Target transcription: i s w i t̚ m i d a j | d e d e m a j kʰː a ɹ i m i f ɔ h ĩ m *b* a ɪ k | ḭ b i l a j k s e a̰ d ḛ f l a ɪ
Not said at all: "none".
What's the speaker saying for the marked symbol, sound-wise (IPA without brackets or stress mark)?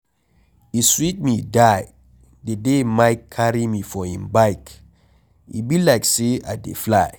b